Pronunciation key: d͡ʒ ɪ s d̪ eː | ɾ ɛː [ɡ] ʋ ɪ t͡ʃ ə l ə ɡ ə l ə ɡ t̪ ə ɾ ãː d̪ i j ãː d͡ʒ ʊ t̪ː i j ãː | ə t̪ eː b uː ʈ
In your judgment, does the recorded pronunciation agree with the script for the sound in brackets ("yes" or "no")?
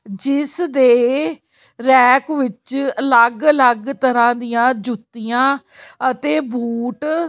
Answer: no